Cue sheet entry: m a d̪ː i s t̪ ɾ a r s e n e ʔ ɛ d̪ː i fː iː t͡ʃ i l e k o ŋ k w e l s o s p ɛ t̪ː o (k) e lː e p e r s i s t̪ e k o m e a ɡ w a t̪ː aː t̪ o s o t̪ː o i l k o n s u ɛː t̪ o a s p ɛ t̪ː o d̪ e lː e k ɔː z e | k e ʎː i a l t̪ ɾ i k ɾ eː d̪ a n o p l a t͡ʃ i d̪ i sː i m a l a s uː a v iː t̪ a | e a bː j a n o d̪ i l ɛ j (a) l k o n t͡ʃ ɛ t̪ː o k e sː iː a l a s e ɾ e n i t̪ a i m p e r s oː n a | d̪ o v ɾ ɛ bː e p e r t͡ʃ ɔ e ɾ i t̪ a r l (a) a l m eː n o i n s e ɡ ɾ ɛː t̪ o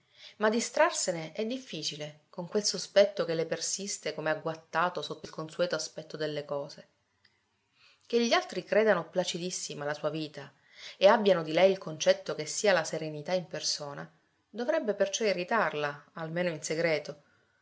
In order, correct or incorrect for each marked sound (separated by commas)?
correct, incorrect, correct